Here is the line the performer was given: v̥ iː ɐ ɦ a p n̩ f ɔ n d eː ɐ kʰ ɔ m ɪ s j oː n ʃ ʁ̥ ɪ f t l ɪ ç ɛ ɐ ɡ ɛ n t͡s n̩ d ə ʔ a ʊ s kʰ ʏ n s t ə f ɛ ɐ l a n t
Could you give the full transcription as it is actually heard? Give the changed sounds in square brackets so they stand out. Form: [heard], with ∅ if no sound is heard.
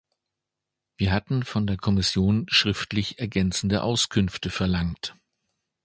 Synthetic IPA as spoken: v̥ iː ɐ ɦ a [t] n̩ f ɔ n d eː ɐ kʰ ɔ m ɪ s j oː n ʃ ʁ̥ ɪ f t l ɪ ç ɛ ɐ ɡ ɛ n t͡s n̩ d ə ʔ a ʊ s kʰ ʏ n [f] t ə f ɛ ɐ l a [ŋ] t